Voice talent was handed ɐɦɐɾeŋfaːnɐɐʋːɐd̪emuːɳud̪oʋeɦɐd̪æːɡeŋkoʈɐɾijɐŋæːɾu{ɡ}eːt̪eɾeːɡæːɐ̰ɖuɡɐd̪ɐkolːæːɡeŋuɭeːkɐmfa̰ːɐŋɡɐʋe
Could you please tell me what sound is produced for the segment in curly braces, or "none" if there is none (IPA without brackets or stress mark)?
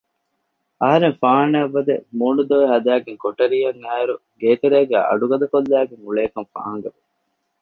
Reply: ɡ